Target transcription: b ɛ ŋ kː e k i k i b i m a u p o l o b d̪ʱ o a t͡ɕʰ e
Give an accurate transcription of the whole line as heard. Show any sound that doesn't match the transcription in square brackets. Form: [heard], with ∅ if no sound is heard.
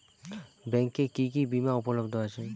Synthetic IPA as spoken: b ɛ ŋ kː e k i k i b i m a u p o l o b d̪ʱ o a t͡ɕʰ e